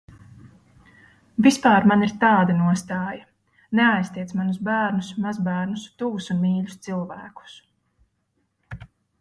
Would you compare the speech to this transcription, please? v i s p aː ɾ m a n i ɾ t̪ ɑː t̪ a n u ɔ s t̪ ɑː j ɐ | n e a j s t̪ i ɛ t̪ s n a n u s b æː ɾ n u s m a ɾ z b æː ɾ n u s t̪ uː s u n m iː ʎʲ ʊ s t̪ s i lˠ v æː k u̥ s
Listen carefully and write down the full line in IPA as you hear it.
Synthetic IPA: v i s p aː ɾ m a n i ɾ t̪ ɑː d̪ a n u ɔ s t̪ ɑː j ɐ | n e a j s t̪ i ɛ t̪ s m a n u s b æː ɾ n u s m a z b æː ɾ n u s t̪ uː s u n m iː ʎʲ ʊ s t̪ s i lˠ v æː k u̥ s